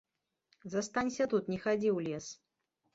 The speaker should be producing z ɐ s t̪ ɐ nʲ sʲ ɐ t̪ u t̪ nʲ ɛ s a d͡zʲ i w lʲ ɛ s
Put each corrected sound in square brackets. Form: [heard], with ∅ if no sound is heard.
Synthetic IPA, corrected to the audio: z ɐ s t̪ [a] nʲ sʲ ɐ t̪ u t̪ nʲ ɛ [x] a d͡zʲ i w lʲ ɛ s